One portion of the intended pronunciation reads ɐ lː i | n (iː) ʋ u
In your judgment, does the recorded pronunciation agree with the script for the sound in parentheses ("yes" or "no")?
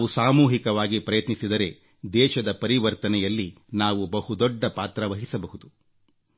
no